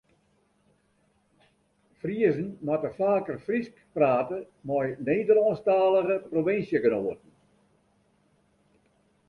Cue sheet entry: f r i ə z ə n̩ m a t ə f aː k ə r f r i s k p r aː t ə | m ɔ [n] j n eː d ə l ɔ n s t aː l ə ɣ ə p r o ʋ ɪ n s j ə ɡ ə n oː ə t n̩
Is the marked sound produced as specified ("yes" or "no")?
no